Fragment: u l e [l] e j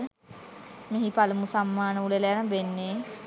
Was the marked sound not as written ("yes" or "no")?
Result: no